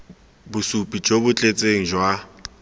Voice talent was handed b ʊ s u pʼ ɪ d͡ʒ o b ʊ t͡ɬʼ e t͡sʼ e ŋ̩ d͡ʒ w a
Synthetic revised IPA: b ʊ s u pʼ i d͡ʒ o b ʊ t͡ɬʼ e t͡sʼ e ŋ̩ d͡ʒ w a